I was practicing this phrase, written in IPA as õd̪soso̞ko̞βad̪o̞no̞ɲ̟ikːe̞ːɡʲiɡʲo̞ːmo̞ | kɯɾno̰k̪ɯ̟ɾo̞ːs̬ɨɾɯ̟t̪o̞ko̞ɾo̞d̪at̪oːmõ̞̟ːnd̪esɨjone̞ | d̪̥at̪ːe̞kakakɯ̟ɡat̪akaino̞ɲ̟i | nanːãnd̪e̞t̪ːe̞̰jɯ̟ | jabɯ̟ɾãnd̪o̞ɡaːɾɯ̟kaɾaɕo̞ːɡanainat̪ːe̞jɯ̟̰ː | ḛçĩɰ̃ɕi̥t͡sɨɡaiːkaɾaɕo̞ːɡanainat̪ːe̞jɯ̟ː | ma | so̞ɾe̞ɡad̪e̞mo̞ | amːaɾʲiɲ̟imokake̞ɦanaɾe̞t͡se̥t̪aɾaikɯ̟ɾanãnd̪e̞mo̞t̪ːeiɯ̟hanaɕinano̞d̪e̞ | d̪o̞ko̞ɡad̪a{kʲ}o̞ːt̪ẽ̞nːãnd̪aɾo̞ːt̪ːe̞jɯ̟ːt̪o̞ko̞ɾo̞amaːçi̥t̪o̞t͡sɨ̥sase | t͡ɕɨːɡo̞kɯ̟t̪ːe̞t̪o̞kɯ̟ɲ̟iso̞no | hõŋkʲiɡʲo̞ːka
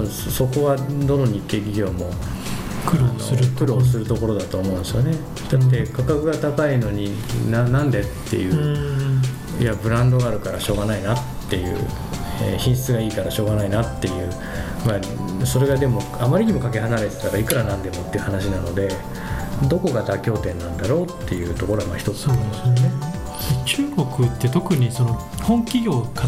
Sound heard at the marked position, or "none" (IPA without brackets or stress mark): kʲ